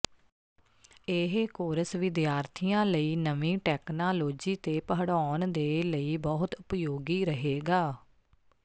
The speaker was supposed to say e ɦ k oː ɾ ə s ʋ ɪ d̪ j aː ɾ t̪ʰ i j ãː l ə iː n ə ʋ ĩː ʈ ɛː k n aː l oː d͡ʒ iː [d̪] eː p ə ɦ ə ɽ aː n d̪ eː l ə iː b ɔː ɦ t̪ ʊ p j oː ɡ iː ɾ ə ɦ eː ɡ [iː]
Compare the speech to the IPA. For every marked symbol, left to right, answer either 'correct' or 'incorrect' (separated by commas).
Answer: incorrect, incorrect